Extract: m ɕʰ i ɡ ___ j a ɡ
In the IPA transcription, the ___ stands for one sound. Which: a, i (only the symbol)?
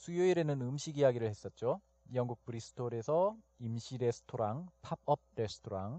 i